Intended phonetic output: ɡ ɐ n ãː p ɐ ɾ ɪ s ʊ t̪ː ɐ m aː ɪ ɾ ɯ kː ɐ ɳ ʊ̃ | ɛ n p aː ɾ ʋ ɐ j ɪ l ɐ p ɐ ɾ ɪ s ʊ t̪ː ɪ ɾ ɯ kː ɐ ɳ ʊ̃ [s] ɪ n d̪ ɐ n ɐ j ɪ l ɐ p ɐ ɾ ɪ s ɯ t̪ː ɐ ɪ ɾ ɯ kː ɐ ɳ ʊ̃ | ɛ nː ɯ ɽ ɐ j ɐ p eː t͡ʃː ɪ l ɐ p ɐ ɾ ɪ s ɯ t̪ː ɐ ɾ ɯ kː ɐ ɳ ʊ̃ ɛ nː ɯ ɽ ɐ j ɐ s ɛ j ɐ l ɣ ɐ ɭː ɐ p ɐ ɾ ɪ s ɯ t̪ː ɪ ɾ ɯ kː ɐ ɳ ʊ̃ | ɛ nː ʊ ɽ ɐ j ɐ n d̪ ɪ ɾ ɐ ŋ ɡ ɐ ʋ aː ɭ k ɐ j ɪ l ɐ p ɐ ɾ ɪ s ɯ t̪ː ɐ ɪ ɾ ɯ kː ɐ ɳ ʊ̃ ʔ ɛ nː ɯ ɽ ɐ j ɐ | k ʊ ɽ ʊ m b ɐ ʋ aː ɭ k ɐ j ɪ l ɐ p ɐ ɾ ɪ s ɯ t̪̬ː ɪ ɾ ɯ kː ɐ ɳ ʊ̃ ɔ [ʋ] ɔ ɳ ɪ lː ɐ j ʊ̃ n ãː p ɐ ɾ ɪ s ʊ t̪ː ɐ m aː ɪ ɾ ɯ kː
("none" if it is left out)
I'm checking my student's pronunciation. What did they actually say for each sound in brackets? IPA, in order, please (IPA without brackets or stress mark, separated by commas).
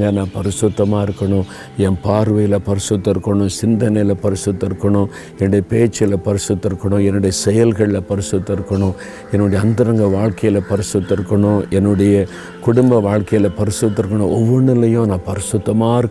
s, ʋː